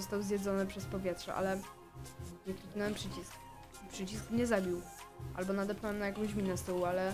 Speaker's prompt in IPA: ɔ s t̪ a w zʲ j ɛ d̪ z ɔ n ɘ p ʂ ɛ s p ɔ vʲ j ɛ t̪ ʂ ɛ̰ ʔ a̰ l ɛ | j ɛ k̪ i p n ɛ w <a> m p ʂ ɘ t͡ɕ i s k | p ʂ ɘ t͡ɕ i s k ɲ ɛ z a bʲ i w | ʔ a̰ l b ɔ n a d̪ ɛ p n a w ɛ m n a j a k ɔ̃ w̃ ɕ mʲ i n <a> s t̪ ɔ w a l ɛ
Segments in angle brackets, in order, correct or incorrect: incorrect, incorrect

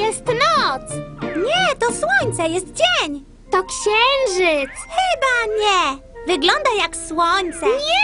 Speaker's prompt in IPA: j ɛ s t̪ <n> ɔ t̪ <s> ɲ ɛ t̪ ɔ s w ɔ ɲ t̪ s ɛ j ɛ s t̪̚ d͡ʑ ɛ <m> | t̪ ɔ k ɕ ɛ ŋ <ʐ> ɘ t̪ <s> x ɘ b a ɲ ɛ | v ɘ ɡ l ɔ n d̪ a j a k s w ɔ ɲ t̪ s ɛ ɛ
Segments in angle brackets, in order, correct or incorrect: correct, correct, incorrect, correct, correct

